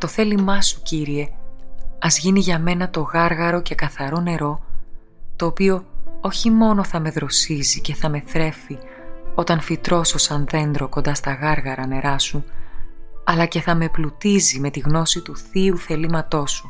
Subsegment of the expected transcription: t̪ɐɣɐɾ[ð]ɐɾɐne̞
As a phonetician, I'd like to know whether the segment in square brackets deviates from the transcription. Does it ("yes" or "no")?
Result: yes